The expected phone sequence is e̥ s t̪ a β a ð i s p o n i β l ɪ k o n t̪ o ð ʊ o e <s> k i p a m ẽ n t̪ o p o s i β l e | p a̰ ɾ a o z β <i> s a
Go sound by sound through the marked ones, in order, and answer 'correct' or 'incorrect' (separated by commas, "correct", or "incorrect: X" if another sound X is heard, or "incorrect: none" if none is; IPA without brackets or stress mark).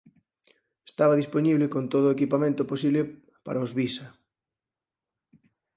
incorrect: none, correct